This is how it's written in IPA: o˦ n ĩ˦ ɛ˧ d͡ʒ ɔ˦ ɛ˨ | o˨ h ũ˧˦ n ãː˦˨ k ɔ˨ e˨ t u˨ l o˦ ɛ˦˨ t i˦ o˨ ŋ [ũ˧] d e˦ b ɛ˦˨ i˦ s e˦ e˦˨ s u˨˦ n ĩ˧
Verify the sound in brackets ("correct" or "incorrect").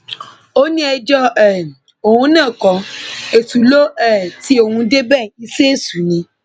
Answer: correct